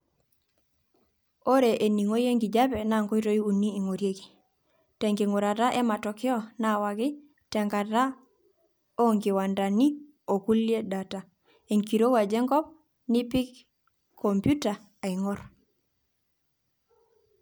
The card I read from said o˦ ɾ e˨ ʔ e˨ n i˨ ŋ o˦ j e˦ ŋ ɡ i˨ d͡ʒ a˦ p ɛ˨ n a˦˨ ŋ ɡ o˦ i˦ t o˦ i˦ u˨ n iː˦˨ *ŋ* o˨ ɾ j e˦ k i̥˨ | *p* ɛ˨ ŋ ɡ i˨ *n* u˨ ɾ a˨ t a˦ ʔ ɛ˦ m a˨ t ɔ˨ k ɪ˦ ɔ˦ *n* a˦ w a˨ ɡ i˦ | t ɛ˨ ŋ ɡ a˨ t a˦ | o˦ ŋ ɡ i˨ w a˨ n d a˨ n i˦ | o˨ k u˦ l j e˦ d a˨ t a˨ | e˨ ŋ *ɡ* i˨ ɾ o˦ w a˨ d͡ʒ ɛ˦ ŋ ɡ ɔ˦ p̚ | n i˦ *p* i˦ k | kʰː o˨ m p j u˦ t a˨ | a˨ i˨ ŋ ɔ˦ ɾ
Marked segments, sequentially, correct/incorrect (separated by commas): correct, incorrect, incorrect, correct, incorrect, correct